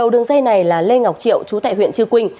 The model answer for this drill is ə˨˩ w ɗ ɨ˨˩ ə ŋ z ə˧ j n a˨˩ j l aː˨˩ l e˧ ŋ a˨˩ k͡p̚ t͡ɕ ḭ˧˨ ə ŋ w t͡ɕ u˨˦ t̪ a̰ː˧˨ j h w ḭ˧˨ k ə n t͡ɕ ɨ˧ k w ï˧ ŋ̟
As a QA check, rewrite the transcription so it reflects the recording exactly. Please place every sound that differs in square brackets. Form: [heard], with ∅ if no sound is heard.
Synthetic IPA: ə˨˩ w ɗ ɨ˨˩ ə ŋ z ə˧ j n a˨˩ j l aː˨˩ l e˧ ŋ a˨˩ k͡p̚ t͡ɕ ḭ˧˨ ə [∅] w t͡ɕ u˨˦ t̪ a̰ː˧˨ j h w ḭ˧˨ [∅] ə n t͡ɕ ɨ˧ k w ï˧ ŋ̟